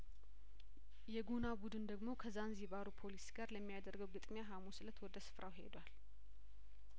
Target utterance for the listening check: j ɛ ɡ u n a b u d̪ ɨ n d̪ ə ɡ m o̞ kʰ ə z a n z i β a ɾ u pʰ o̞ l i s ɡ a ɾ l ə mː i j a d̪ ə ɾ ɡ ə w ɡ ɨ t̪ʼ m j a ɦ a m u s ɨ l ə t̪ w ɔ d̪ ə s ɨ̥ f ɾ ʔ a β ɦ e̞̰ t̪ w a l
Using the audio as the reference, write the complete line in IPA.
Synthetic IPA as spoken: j ɛ ɡ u n a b u d̪ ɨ n d̪ ə ɡ m o̞ kʰ ə z a n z i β a ɾ u pʰ o̞ l i s ɡ a ɾ l ə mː i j a d̪ ə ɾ ɡ ə w ɡ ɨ t̪ʼ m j a ɦ a m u s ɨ l ə t̪ w ɔ d̪ ə s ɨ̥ f ɾ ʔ a w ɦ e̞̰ d̪ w a l

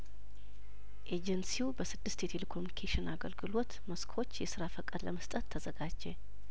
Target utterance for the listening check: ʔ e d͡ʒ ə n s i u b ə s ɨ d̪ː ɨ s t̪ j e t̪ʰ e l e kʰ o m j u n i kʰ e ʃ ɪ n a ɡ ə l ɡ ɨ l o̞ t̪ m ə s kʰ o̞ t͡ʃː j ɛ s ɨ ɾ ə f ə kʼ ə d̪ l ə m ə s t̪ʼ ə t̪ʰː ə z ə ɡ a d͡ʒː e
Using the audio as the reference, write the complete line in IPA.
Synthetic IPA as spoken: ʔ e d͡ʒ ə n s i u b ə s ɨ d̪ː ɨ s t̪ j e t̪ʰ e l e kʰ o m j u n i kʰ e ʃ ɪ n a ɡ ə l ɡ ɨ l o̞ t̪ m ə s kʰ o̞ t͡ʃː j ɛ s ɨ ɾ a f ə kʼ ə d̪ l ə m ə s t̪ʼ ə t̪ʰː ə z ə ɡ a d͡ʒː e

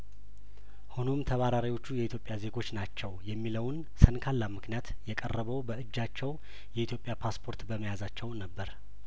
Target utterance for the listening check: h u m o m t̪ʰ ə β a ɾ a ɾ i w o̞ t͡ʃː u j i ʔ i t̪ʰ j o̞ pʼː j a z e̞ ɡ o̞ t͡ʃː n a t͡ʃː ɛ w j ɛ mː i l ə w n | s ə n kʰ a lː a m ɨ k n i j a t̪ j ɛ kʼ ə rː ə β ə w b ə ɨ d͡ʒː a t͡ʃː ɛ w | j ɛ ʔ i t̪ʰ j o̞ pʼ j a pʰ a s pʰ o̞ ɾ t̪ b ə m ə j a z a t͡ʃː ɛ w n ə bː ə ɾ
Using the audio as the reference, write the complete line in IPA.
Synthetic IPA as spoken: h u n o m t̪ʰ ə β a ɾ a ɾ i w o̞ t͡ʃː u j ɛ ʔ i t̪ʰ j o̞ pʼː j a z e̞ ɡ o̞ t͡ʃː n a t͡ʃː ɛ w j ɛ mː i l ə w n | s ə n kʰ a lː a m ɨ k n i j a t̪ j ɛ kʼ ə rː ə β ə w b ə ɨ d͡ʒː a t͡ʃː ɛ w | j ɛ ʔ i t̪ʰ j o̞ pʼ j a pʰ a s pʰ o̞ ɾ t̪ b ə m ə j a z a t͡ʃː ɛ w n ə bː ə ɾ

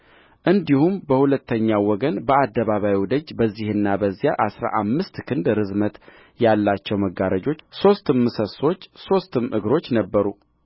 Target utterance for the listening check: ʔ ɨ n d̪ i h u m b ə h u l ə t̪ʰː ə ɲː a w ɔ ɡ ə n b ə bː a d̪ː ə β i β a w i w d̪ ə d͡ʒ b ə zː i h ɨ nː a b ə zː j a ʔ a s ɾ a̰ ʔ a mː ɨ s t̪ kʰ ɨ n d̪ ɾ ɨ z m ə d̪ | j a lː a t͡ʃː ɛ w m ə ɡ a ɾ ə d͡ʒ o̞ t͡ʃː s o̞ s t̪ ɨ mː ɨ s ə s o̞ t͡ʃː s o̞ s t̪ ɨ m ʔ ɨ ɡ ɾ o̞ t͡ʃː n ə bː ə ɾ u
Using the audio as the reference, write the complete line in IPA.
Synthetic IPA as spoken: ʔ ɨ n d̪ i h u m b ə h u l ə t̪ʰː ə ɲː a w ɔ ɡ ə n b ə a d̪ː ə β a β a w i w d̪ ə d͡ʒ b ə zː i h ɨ nː a b ə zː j a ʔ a s ɾ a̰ ʔ a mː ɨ s t̪ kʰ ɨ n d̪ ɾ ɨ z m ə t̪ | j a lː a t͡ʃː ɛ w m ə ɡ a ɾ ə d͡ʒ o̞ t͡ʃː s o̞ s t̪ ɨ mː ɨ s ə s o̞ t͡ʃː s o̞ s t̪ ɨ m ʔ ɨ ɡ ɾ o̞ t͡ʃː n ə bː ə ɾ u

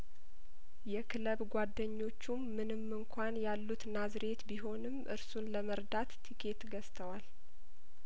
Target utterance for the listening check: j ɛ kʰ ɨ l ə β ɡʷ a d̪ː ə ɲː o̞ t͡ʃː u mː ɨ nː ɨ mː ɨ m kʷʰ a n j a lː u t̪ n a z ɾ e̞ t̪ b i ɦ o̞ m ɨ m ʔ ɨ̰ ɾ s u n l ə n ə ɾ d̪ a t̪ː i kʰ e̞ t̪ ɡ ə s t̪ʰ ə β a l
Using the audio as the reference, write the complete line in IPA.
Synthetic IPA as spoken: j ɛ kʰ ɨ l ə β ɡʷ a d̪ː ə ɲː o̞ t͡ʃː u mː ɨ n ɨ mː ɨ ŋ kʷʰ a n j a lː u t̪ n a z ɾ e̞ t̪ b i ɦ o̞ n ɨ m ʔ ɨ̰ ɾ s u n l ə m ə ɾ d̪ a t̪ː i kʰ e̞ t̪ ɡ ə s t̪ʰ ə w a l

